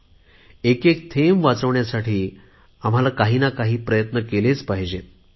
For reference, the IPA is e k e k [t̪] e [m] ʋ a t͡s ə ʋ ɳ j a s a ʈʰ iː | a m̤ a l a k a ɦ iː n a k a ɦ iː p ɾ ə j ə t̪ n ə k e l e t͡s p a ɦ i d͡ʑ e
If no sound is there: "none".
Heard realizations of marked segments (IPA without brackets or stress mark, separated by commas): t̪ʰ, m